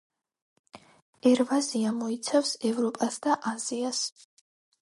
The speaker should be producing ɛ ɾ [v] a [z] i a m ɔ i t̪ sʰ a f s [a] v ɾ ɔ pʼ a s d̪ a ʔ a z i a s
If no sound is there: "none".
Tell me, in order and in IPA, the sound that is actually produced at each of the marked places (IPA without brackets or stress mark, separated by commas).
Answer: v, z, ɛ